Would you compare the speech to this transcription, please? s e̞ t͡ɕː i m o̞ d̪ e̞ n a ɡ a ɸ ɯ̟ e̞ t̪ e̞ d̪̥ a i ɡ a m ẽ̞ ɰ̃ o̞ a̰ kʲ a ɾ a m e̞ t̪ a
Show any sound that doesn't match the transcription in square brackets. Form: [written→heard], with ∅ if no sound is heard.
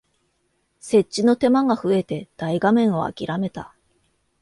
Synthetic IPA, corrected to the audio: s e̞ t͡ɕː i [m→n] o̞ [d̪→t̪] e̞ [n→m] a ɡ a ɸ ɯ̟ e̞ t̪ e̞ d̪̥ a i ɡ a m ẽ̞ ɰ̃ o̞ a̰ kʲ [a→i] ɾ a m e̞ t̪ a